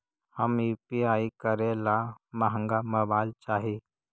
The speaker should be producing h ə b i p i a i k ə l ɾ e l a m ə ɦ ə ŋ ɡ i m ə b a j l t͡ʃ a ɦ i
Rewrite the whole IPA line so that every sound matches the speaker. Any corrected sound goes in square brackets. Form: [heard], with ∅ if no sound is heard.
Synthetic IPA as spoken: h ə [m] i p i a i k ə [∅] ɾ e l a m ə ɦ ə ŋ ɡ [a] m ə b a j l t͡ʃ a ɦ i